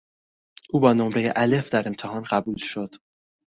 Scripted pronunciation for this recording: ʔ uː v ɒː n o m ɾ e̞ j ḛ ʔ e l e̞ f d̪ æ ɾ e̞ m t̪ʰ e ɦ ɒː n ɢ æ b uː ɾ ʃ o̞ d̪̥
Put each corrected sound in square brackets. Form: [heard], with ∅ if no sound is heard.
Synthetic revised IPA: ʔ uː [b] ɒː n o m ɾ e̞ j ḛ ʔ [æ] l e̞ f d̪ æ ɾ e̞ m t̪ʰ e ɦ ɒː n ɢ æ b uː [l] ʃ o̞ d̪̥